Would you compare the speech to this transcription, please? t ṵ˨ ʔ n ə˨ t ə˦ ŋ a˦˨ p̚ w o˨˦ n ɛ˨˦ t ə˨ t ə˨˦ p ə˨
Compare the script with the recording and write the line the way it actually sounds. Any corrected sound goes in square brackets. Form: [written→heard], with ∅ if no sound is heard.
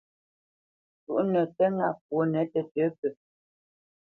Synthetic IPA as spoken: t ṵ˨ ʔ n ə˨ t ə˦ ŋ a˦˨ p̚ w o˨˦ n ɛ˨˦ t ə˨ t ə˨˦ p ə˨